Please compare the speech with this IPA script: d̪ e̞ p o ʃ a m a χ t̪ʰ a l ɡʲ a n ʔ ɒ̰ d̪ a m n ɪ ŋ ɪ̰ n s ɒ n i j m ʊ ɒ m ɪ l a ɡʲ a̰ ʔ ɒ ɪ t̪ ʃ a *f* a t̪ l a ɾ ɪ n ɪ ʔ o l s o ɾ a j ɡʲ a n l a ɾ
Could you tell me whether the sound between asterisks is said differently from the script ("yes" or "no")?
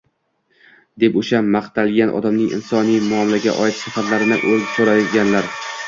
no